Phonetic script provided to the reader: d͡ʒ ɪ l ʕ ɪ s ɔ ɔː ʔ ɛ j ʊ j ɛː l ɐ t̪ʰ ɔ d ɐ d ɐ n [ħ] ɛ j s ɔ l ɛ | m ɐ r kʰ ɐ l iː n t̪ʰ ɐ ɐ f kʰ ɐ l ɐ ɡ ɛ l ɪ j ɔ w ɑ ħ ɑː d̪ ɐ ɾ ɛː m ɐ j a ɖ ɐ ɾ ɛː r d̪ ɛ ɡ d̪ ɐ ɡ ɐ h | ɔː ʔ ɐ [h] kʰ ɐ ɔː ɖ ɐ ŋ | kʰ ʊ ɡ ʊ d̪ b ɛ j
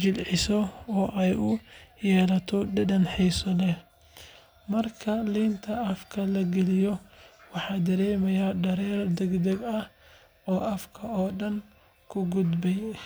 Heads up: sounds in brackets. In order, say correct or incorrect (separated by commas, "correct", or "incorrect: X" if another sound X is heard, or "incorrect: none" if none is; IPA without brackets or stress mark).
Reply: correct, incorrect: f